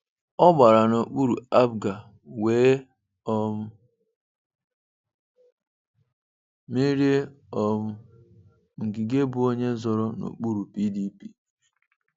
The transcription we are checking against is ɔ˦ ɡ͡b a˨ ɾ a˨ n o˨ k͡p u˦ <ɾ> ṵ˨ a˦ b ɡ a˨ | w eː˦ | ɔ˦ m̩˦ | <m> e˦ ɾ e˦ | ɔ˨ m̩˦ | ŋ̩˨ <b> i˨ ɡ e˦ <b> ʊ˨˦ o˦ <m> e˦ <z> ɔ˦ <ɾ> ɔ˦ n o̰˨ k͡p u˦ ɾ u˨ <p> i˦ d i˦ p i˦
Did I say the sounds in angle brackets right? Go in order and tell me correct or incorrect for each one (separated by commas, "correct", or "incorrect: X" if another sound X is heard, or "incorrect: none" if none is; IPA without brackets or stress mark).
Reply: correct, correct, incorrect: ɡ, correct, incorrect: ɲ, correct, correct, correct